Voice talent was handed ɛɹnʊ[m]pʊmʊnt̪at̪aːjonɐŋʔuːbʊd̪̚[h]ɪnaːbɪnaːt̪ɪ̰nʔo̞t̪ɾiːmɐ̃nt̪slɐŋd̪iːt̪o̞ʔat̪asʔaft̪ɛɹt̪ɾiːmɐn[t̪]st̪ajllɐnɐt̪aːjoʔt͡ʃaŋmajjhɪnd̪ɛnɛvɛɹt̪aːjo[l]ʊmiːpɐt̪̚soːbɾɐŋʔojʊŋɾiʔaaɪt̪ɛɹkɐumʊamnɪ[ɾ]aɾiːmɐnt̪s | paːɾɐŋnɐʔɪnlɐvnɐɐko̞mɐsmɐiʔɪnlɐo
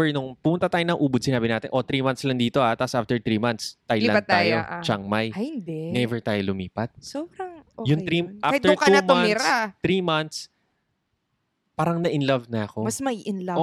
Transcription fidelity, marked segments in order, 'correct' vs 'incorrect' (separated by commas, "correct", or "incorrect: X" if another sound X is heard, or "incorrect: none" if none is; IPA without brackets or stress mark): incorrect: ŋ, incorrect: s, correct, correct, correct